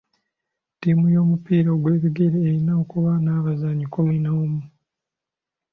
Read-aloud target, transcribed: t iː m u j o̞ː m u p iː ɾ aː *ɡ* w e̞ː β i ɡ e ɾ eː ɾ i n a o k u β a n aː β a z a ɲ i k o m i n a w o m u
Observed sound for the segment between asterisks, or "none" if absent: ɡ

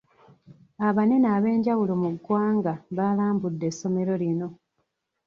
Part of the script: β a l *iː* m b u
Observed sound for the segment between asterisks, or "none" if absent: aː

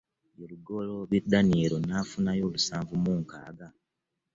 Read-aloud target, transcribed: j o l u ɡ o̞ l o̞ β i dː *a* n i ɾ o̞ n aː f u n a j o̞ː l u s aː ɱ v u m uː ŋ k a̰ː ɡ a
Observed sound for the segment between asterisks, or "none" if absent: a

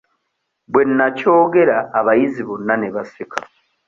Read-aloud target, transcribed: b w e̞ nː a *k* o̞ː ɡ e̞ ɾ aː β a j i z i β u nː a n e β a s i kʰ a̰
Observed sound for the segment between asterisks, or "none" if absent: c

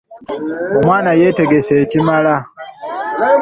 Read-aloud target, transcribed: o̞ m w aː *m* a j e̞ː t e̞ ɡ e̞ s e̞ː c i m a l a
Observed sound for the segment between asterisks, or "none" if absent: n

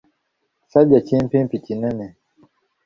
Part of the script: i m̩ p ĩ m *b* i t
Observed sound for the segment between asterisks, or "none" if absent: p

